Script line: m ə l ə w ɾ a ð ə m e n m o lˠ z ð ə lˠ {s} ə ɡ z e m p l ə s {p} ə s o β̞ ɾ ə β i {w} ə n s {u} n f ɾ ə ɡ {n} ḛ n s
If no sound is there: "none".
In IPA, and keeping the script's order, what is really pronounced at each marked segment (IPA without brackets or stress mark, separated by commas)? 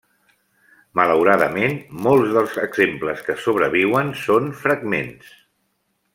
z, k, w, o, m